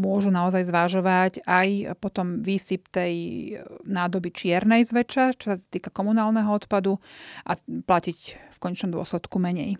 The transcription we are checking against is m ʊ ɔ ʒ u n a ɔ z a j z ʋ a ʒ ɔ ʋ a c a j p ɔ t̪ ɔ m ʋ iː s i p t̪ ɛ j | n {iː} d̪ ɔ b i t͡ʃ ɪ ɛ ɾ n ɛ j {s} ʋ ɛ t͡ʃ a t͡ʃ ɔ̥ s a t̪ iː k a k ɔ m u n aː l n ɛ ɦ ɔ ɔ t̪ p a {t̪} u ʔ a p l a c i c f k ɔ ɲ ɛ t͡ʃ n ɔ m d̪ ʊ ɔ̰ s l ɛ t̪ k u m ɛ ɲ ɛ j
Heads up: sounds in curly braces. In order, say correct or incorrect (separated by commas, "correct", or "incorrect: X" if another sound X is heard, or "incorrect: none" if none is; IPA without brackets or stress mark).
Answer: incorrect: aː, incorrect: z, incorrect: d̪